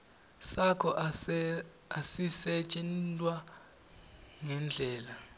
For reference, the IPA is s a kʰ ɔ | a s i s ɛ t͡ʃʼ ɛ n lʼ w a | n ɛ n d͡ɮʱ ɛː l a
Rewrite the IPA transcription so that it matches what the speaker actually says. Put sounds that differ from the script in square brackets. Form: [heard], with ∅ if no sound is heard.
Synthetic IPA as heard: s a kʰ ɔ | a s i s ɛ t͡ʃʼ ɛ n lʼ w a | [ŋ] ɛ n d͡ɮʱ ɛː l a